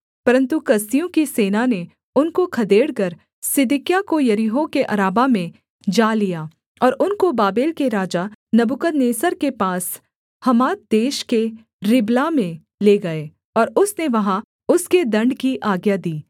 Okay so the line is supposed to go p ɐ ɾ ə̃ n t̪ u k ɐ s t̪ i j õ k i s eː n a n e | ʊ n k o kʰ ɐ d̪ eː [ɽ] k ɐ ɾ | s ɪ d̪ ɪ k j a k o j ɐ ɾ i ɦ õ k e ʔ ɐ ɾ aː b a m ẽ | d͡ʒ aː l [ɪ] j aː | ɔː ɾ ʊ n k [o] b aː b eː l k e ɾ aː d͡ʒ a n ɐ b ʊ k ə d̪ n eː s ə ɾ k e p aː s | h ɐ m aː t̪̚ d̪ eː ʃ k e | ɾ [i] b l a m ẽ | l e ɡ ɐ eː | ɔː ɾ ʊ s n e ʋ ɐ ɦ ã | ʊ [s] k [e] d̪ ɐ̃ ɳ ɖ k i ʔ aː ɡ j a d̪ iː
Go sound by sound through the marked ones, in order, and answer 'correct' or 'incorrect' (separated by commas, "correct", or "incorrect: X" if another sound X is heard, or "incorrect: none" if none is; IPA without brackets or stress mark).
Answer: correct, incorrect: i, correct, incorrect: ɪ, correct, correct